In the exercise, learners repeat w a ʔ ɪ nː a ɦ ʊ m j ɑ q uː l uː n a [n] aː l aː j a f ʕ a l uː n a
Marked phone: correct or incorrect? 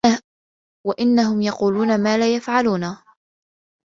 incorrect: m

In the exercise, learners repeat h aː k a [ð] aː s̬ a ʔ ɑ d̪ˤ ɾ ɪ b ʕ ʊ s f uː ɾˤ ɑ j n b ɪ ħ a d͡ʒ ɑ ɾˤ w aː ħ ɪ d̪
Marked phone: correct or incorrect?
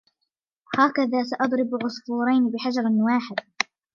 correct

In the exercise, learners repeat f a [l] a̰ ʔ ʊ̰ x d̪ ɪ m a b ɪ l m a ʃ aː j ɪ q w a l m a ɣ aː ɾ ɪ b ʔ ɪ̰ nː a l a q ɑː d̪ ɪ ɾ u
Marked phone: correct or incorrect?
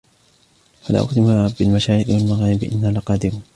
correct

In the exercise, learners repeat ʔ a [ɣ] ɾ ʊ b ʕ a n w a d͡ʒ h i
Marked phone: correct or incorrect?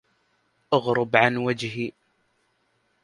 correct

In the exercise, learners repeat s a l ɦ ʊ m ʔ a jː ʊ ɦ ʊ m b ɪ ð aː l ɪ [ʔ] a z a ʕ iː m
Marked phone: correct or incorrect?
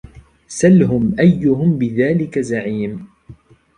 incorrect: k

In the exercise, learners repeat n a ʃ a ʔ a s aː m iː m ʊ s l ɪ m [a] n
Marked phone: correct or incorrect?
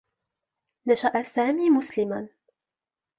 correct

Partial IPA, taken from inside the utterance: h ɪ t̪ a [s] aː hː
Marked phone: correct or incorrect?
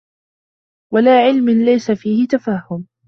incorrect: f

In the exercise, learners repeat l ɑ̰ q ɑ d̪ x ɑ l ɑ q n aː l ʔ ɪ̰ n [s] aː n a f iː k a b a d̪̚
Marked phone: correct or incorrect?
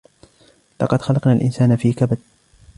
correct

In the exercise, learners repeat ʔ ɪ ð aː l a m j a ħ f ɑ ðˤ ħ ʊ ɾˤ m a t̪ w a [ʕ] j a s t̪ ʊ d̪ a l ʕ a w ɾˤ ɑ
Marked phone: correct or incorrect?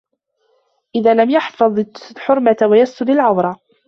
incorrect: none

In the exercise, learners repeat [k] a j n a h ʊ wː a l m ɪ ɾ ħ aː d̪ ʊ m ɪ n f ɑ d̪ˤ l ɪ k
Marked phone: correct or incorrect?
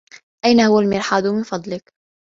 incorrect: ʔ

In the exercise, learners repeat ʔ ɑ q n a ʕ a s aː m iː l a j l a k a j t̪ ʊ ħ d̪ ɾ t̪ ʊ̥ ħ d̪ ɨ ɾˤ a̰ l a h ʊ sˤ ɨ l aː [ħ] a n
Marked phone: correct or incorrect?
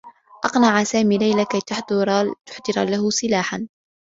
correct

